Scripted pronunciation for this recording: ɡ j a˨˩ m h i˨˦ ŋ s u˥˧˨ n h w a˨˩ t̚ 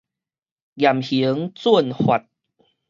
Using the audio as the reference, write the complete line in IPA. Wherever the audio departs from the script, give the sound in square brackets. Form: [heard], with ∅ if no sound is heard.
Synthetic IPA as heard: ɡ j a˨˩ m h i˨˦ ŋ [t͡s] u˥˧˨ n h w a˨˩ t̚